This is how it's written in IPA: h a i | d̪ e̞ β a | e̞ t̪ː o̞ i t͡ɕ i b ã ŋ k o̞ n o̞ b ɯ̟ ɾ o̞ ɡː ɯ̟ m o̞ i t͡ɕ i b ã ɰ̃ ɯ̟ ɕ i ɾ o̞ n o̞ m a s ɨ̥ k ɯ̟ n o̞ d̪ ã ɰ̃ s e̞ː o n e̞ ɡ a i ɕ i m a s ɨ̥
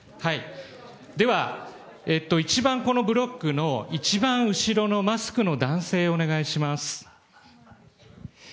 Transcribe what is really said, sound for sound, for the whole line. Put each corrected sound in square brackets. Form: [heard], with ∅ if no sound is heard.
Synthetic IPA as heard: h a i | d̪ e̞ β a | e̞ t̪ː o̞ i t͡ɕ i b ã ŋ k o̞ n o̞ b ɯ̟ ɾ o̞ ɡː ɯ̟ [n] o̞ i t͡ɕ i b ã ɰ̃ ɯ̟ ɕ i ɾ o̞ n o̞ m a s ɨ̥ k ɯ̟ n o̞ d̪ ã ɰ̃ s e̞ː o n e̞ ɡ a i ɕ i m a s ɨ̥

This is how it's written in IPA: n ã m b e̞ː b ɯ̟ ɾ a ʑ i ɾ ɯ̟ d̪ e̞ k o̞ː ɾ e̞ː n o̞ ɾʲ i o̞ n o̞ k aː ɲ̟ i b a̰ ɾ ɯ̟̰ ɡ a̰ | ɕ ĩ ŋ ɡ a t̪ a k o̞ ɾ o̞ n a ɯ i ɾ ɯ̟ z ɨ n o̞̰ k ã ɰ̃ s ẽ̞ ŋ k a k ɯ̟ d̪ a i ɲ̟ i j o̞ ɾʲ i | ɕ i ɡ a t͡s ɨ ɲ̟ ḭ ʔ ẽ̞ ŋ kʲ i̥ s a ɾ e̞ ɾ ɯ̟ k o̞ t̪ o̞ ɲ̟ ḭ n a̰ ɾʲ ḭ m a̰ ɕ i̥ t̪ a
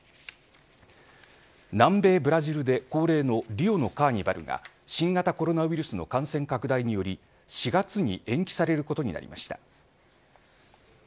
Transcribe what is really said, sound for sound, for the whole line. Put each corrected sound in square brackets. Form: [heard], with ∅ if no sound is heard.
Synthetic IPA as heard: n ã m b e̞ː b ɯ̟ ɾ a ʑ i ɾ ɯ̟ d̪ e̞ k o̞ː ɾ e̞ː n o̞ ɾʲ i o̞ n o̞ k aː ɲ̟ i b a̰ ɾ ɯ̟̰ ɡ a̰ | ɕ ĩ ŋ ɡ a t̪ a k o̞ ɾ o̞ n a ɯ i ɾ ɯ̟ [s] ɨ n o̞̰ k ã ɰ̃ s ẽ̞ ŋ k a k ɯ̟ d̪ a i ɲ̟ i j o̞ ɾʲ i | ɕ i ɡ a t͡s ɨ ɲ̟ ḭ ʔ ẽ̞ ŋ kʲ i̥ s a ɾ e̞ ɾ ɯ̟ k o̞ t̪ o̞ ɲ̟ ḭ n a̰ ɾʲ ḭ m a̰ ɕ i̥ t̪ a

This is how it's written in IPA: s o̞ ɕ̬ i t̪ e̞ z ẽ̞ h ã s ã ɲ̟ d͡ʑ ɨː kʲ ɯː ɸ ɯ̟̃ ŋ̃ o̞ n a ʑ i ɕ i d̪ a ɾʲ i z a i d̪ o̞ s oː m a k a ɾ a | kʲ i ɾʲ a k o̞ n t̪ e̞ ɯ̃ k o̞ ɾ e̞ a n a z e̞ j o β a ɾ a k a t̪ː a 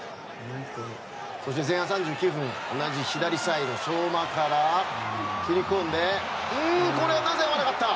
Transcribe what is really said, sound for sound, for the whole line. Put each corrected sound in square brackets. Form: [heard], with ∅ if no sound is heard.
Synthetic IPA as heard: s o̞ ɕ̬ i t̪ e̞ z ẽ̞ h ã s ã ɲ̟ d͡ʑ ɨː kʲ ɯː ɸ ɯ̟̃ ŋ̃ o̞ n a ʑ i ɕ i d̪ a ɾʲ i [s] a i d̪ o̞ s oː m a k a ɾ a | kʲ i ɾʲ [i] k [õ̞] n [d̪] e̞ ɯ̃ k o̞ ɾ e̞ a n a z e̞ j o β a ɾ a k a t̪ː a

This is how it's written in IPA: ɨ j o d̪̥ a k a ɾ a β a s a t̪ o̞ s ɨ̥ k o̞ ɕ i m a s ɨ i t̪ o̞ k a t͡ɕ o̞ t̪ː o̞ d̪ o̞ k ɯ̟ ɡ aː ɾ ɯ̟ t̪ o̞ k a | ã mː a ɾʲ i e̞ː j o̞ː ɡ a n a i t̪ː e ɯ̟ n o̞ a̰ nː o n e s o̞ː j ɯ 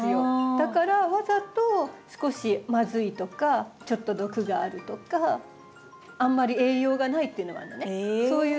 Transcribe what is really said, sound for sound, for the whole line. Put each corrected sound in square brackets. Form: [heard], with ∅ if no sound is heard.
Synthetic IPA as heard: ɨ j o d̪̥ a k a ɾ a β a [z] a t̪ o̞ s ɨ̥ k o̞ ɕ i m a [z] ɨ i t̪ o̞ k a t͡ɕ o̞ t̪ː o̞ d̪ o̞ k ɯ̟ ɡ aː ɾ ɯ̟ t̪ o̞ k a | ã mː a ɾʲ i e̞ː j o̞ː ɡ a n a i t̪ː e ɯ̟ n o̞ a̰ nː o n e s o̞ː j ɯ

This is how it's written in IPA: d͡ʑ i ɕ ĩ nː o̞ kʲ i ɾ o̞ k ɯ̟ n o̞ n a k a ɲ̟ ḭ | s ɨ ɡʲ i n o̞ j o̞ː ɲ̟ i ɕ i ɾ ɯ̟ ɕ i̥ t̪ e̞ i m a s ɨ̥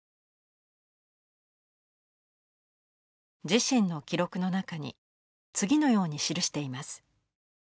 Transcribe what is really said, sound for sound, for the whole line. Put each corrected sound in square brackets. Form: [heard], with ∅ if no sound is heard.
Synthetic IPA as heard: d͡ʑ i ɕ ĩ nː o̞ kʲ i ɾ o̞ k ɯ̟ n o̞ n a k a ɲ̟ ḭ | [t͡s] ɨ ɡʲ i n o̞ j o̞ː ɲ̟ i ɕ i ɾ ɯ̟ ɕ i̥ t̪ e̞ i m a s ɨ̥

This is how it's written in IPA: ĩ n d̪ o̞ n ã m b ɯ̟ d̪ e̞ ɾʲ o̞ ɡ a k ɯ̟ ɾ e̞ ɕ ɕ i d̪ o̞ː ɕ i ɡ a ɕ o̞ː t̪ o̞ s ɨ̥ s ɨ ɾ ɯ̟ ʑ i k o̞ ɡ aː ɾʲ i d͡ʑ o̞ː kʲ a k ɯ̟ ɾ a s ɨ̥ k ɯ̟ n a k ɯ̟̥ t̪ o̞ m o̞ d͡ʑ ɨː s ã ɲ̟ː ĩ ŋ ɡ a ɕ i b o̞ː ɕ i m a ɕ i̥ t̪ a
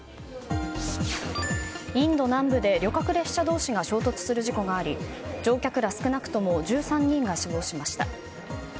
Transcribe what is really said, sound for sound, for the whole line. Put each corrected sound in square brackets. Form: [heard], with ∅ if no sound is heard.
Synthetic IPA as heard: ĩ n d̪ o̞ n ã m b ɯ̟ d̪ e̞ ɾʲ o̞ [k] a k ɯ̟ ɾ e̞ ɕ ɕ [a] d̪ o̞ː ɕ i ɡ a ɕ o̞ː t̪ o̞ [t͡s] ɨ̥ s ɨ ɾ ɯ̟ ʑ i k o̞ ɡ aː ɾʲ i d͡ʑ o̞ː kʲ a k ɯ̟ ɾ a s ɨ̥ k ɯ̟ n a k ɯ̟̥ t̪ o̞ m o̞ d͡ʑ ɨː s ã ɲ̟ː ĩ ŋ ɡ a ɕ i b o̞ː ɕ i m a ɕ i̥ t̪ a

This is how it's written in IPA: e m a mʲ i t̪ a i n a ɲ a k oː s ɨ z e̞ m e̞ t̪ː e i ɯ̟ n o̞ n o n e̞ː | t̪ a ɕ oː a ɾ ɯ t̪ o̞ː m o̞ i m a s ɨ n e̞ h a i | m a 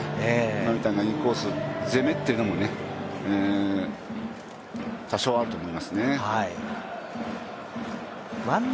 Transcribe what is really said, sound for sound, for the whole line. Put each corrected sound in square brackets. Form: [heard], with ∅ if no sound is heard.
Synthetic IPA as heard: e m a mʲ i t̪ a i n a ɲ [i] k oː s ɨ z e̞ m e̞ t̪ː e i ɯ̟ n o̞ [m] o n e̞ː | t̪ a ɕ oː a ɾ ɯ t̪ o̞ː m o̞ i m a s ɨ n e̞ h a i | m a

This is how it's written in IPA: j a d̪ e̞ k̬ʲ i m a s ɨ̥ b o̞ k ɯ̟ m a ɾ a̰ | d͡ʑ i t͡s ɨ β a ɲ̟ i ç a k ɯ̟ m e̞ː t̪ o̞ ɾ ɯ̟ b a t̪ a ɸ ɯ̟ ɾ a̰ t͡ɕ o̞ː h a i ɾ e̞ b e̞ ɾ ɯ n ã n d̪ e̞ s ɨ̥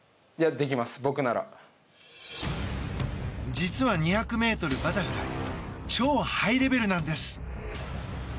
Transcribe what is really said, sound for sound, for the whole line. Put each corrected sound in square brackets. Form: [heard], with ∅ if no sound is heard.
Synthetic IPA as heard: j a d̪ e̞ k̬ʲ i m a s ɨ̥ b o̞ k ɯ̟ [n] a ɾ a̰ | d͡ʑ i t͡s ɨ β a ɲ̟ i ç a k ɯ̟ m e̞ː t̪ o̞ ɾ ɯ̟ b a t̪ a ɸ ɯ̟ ɾ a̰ t͡ɕ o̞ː h a i ɾ e̞ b e̞ ɾ ɯ n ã n d̪ e̞ s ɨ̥

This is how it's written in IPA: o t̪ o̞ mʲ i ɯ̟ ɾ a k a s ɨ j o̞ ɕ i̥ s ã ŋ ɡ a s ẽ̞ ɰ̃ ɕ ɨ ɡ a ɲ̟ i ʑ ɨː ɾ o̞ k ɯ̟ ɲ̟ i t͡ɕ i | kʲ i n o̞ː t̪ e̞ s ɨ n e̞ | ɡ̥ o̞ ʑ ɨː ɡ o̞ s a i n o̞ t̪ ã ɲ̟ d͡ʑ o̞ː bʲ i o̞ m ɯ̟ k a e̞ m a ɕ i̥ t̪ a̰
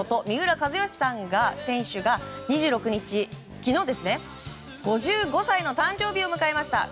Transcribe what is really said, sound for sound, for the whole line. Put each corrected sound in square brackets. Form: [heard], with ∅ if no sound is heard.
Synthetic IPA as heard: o t̪ o̞ mʲ i ɯ̟ ɾ a k a [z] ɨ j o̞ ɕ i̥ s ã ŋ ɡ a s ẽ̞ ɰ̃ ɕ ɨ ɡ a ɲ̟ i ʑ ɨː ɾ o̞ k ɯ̟ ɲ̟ i t͡ɕ i | kʲ i n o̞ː [d̪] e̞ s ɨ n e̞ | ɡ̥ o̞ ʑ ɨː ɡ o̞ s a i n o̞ t̪ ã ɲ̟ d͡ʑ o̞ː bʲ i o̞ m ɯ̟ k a e̞ m a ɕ i̥ t̪ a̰

